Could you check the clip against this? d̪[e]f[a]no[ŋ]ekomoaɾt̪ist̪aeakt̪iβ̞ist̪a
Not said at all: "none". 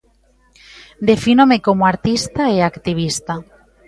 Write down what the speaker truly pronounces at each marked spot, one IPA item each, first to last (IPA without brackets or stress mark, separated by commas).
e, i, m